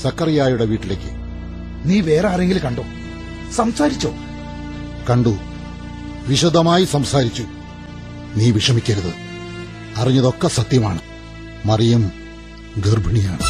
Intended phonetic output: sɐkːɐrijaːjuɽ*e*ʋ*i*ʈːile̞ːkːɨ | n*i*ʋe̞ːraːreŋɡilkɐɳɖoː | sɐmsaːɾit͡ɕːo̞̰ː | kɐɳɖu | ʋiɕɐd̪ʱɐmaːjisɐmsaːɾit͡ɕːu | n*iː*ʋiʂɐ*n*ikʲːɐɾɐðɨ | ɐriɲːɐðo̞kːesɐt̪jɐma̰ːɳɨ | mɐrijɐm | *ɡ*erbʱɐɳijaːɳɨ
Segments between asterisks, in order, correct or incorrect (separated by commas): correct, incorrect, incorrect, correct, incorrect, correct